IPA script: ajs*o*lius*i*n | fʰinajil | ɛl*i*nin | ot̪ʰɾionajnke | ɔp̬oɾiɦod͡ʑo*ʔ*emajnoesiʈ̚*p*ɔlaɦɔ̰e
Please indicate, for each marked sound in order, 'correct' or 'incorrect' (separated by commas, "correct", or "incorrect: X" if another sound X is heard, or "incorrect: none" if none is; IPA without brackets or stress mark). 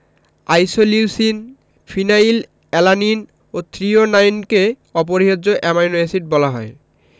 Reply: correct, correct, incorrect: a, correct, incorrect: b